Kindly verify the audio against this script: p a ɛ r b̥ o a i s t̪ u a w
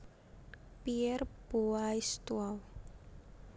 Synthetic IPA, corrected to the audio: p i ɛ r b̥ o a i s t̪ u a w